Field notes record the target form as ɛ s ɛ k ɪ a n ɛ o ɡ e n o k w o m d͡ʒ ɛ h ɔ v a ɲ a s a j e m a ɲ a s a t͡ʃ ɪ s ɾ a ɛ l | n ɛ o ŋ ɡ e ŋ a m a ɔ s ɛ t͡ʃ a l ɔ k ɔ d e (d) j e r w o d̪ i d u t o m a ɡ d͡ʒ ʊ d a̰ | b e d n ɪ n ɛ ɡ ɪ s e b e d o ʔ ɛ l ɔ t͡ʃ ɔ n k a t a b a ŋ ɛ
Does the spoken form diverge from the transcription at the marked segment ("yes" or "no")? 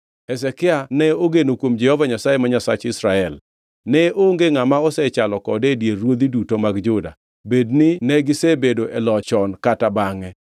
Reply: no